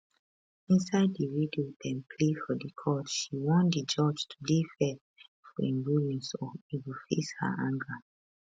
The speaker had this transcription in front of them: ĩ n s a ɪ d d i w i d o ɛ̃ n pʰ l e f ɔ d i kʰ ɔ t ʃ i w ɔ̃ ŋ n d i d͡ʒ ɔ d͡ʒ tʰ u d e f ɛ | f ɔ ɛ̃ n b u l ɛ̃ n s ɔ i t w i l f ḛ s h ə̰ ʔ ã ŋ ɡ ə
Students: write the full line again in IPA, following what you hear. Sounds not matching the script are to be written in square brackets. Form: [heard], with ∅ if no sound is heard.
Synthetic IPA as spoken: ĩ n s a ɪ d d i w i d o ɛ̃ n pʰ l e f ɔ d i kʰ ɔ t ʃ i w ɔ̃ [∅] n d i d͡ʒ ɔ d͡ʒ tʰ u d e f ɛ | f ɔ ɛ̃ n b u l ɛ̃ n s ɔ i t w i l f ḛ s h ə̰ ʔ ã ŋ ɡ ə